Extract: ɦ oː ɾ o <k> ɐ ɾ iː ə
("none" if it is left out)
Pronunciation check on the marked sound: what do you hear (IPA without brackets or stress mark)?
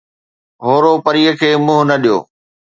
p